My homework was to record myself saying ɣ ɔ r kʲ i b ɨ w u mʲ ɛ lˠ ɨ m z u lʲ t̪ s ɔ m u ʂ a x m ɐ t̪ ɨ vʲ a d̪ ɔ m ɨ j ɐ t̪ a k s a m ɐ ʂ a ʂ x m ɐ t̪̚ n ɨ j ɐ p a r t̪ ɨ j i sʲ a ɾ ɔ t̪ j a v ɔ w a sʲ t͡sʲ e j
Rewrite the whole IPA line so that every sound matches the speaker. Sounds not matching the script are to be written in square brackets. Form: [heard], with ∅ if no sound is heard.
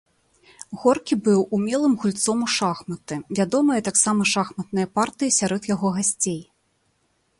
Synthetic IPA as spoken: ɣ ɔ r kʲ i b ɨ w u mʲ ɛ lˠ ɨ m [ɣ] u lʲ t̪ s ɔ m u ʂ a x m ɐ t̪ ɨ vʲ a d̪ ɔ m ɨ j ɐ t̪ a k s a m ɐ ʂ a [∅] x m ɐ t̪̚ n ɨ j ɐ p a r t̪ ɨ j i sʲ a ɾ ɔ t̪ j a [ɣ] ɔ [ɣ] a sʲ t͡sʲ e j